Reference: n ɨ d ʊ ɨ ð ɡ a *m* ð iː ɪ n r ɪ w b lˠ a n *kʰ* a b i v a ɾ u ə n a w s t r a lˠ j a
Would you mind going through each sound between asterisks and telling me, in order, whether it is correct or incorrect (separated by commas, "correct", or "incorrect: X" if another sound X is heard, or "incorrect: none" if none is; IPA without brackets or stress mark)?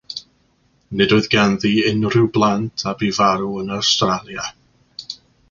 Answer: incorrect: n, incorrect: tʰ